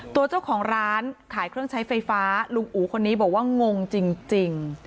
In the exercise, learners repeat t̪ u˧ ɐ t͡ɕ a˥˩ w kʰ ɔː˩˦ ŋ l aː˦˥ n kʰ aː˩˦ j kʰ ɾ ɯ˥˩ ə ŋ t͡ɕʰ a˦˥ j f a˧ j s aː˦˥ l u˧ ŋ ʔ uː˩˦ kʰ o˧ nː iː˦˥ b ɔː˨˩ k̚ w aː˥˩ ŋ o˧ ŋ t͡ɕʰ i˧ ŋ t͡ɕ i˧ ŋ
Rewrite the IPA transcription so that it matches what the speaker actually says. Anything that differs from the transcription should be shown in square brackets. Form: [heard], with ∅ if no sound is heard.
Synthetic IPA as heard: t̪ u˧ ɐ t͡ɕ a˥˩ w kʰ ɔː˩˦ ŋ [ɾ] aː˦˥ n kʰ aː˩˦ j kʰ ɾ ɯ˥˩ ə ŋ t͡ɕʰ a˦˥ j f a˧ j [f] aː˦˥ l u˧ ŋ ʔ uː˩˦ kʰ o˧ nː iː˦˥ b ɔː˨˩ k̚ w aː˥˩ ŋ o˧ ŋ [t͡ɕ] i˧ ŋ t͡ɕ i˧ ŋ